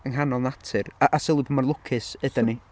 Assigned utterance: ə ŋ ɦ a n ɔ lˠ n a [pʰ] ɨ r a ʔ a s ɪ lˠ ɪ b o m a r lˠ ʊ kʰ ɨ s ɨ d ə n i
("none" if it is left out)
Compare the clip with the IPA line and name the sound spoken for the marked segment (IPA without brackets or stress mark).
tʰ